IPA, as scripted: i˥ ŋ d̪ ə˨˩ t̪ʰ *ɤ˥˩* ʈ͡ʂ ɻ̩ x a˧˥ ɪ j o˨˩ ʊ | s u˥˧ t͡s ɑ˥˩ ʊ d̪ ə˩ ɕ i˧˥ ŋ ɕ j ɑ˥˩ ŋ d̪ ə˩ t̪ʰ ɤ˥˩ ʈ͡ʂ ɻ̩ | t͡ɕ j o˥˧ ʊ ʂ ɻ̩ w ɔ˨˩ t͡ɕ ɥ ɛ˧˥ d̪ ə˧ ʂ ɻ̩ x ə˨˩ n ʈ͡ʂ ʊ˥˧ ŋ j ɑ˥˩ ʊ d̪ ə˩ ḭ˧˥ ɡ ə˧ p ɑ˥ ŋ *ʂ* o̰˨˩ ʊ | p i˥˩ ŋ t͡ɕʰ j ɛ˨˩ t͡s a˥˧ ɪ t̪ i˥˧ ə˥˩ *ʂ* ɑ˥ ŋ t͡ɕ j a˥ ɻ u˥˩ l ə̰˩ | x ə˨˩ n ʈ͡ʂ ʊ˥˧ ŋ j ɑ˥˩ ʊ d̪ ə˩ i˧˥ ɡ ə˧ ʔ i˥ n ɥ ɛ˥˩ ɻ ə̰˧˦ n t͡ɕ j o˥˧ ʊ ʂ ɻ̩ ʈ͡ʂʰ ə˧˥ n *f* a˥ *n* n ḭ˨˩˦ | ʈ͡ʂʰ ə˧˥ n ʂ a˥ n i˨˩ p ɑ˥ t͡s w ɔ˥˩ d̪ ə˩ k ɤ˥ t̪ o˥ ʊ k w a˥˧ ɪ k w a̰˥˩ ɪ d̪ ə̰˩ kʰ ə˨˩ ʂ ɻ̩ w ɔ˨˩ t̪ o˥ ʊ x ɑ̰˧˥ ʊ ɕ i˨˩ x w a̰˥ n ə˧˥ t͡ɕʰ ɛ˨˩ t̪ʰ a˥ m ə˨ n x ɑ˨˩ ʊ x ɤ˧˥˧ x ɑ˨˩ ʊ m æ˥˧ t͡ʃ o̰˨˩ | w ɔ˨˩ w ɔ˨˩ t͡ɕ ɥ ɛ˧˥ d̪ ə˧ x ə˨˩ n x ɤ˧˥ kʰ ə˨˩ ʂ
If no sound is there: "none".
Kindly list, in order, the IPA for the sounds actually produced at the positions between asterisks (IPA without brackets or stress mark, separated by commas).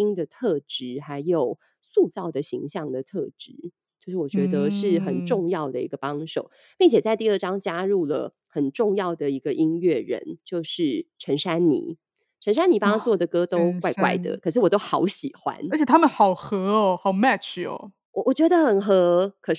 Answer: ɤ˥˩, ʂ, ʈ͡ʂ, ʂ, n